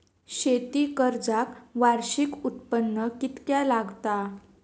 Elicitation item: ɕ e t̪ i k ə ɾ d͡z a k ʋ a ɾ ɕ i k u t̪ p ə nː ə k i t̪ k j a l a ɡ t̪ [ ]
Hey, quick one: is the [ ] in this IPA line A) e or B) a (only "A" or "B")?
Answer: B